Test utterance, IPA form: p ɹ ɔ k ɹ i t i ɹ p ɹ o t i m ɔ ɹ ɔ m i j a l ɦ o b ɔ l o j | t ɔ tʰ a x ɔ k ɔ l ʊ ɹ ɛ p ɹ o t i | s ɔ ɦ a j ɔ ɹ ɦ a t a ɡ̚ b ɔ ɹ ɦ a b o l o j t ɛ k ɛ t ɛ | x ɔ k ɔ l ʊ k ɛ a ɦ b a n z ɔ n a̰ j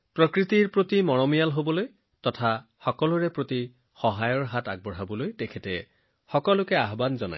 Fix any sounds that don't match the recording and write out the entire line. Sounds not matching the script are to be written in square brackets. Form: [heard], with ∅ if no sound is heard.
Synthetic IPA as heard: p ɹ ɔ k ɹ i t i ɹ p ɹ o t i m ɔ ɹ ɔ m i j a l ɦ o b ɔ l o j | t ɔ tʰ a x ɔ k ɔ l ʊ ɹ ɛ p ɹ o t i | [x] ɔ ɦ a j ɔ ɹ ɦ a t a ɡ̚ b ɔ ɹ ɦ a b [ɔ] l o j t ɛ [kʰ] ɛ t ɛ | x ɔ k ɔ l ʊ k ɛ a ɦ b a n z ɔ n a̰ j